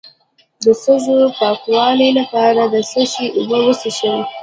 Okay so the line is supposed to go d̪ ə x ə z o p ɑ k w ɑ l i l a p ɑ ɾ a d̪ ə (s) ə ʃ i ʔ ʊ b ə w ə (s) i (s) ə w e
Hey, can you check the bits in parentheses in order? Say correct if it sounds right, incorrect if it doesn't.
correct, correct, incorrect: ʃ

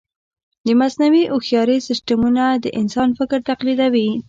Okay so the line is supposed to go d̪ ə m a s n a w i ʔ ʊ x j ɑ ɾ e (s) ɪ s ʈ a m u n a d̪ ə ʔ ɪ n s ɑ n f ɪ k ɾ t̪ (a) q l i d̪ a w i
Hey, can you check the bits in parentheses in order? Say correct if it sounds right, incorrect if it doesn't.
correct, correct

